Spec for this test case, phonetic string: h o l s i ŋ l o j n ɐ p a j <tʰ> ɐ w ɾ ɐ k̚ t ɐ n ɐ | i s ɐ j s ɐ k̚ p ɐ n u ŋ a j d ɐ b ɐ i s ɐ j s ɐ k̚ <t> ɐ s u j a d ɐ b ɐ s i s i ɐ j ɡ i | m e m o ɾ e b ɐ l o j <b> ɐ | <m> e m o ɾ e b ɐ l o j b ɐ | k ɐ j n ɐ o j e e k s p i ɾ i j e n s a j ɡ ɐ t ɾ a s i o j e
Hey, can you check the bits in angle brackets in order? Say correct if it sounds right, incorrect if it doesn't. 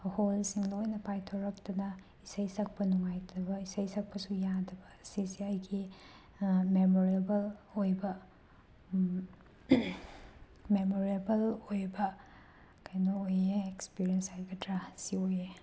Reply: correct, incorrect: p, correct, correct

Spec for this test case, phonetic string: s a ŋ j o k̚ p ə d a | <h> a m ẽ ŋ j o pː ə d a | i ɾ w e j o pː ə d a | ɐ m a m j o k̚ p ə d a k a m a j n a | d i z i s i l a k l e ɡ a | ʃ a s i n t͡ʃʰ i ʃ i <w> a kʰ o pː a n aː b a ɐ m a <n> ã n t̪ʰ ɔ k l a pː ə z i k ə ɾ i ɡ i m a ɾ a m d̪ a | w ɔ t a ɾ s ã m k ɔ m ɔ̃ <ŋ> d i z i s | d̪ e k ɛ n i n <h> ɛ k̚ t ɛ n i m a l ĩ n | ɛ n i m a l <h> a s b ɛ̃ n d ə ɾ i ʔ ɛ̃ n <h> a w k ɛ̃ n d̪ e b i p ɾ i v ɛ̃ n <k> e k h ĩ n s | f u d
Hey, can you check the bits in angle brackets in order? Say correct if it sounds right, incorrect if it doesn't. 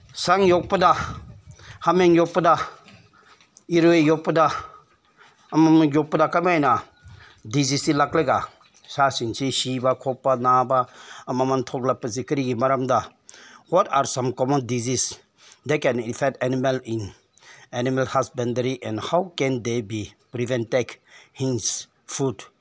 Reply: correct, incorrect: b, incorrect: m, incorrect: n, incorrect: f, correct, correct, incorrect: t

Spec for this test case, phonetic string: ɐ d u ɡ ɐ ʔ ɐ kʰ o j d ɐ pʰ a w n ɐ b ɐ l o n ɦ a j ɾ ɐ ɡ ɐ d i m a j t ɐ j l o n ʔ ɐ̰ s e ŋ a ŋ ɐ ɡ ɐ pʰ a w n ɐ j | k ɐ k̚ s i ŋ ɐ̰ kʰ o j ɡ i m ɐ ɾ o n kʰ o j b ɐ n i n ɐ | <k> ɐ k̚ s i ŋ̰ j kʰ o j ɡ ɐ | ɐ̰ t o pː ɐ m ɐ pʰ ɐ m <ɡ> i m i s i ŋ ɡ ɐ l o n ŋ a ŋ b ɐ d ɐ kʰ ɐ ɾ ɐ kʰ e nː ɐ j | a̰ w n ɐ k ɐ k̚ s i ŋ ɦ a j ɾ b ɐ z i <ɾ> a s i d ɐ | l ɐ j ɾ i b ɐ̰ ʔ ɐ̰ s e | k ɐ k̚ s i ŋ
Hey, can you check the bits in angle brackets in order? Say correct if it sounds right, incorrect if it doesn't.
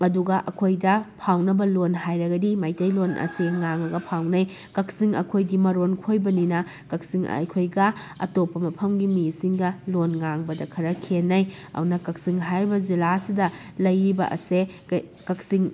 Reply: correct, correct, incorrect: l

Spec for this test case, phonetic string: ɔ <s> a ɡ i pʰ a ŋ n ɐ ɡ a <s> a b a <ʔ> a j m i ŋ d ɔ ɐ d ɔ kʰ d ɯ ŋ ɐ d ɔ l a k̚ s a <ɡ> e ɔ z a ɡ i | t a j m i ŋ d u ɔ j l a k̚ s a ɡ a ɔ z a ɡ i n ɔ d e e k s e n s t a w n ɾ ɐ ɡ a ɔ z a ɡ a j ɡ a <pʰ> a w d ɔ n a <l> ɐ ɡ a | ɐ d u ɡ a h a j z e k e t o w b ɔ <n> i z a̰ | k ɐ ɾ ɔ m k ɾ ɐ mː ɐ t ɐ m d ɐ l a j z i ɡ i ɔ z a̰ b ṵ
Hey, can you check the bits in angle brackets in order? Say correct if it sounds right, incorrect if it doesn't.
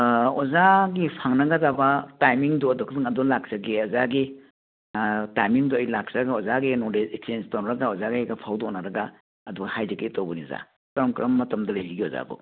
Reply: incorrect: z, incorrect: z, incorrect: t, correct, correct, incorrect: ɾ, correct

